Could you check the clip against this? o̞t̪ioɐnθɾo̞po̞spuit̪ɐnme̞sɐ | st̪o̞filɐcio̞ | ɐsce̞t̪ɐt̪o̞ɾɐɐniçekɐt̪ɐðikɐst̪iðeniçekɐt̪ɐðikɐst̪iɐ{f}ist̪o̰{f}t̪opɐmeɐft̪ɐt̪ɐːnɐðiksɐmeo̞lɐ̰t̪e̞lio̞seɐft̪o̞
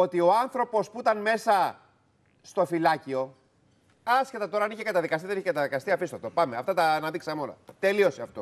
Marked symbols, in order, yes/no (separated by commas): yes, yes